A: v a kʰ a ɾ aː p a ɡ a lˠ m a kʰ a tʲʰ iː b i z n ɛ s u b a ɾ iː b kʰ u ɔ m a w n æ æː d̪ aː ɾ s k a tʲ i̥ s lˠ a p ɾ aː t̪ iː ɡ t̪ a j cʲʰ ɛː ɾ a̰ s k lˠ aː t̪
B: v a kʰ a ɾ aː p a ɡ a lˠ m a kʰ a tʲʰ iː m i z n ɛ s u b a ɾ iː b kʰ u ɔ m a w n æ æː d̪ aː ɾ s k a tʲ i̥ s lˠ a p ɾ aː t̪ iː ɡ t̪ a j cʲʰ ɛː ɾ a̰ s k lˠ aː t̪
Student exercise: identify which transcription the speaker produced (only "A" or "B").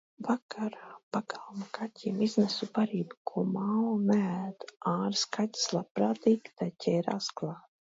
B